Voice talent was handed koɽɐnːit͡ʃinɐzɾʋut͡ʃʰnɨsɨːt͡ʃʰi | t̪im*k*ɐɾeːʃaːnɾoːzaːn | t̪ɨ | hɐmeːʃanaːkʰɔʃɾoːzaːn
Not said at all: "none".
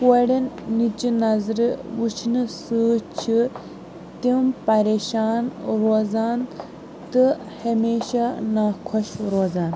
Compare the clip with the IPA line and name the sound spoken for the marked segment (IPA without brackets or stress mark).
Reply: p